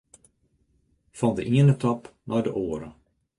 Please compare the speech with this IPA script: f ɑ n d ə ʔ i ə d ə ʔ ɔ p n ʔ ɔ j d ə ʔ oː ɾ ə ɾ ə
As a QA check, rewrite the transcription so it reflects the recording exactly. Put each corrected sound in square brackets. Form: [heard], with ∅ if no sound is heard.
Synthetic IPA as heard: f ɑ n d ə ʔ i ə [n] ə [t] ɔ p n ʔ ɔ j d ə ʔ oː [∅] ə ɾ ə